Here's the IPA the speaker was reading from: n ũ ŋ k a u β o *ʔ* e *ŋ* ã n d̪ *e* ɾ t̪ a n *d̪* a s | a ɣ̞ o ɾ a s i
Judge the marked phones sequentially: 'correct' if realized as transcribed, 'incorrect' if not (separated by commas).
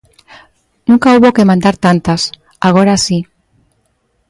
incorrect, incorrect, incorrect, incorrect